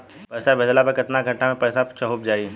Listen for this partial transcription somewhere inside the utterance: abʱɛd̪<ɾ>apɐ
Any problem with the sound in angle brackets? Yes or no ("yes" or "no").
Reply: yes